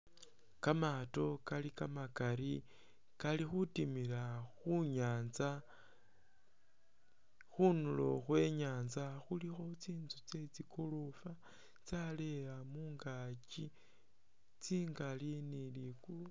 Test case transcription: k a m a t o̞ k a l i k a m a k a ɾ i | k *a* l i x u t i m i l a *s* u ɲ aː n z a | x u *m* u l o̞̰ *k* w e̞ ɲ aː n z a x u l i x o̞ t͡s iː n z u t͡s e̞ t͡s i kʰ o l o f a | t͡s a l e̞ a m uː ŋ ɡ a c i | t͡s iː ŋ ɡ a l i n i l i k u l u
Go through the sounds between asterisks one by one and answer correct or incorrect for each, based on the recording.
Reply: correct, incorrect: x, incorrect: n, incorrect: x

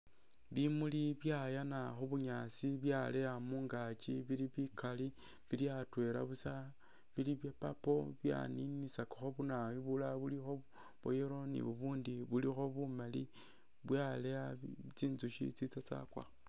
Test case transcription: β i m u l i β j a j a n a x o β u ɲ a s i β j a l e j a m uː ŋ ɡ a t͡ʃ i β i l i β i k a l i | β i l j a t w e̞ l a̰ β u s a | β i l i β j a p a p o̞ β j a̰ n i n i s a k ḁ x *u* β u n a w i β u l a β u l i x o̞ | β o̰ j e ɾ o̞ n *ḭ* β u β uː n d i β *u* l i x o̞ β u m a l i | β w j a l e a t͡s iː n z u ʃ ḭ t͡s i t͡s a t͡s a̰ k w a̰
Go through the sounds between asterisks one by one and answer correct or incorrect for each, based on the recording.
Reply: incorrect: o, correct, correct

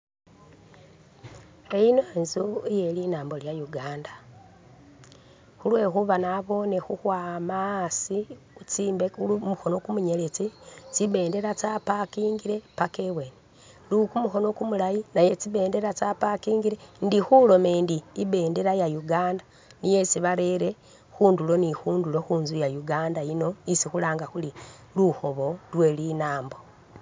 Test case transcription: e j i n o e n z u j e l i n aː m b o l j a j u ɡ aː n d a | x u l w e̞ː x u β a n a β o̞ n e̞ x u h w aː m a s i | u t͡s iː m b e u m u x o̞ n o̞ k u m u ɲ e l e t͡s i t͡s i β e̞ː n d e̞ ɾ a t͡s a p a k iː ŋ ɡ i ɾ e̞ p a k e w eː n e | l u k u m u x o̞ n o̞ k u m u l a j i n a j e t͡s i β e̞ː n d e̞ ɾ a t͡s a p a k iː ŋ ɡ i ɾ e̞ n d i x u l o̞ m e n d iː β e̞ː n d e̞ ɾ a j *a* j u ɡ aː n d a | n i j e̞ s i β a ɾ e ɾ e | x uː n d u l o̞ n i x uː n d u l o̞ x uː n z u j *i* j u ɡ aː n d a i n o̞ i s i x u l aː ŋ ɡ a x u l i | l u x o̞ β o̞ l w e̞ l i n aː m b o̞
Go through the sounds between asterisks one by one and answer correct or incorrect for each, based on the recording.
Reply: correct, incorrect: a

